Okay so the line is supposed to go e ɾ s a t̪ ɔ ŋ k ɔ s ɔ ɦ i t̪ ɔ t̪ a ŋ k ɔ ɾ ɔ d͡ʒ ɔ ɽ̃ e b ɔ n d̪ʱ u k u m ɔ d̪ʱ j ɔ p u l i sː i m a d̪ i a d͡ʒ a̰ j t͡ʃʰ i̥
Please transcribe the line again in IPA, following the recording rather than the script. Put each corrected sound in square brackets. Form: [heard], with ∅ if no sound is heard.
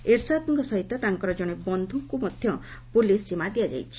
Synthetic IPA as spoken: e ɾ s a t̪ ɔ ŋ k ɔ s ɔ ɦ i t̪ ɔ t̪ a ŋ k ɔ ɾ ɔ d͡ʒ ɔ ɽ̃ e b ɔ n d̪ʱ u k u m ɔ d̪ʱ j ɔ p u l i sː i m a d̪ i a d͡ʒ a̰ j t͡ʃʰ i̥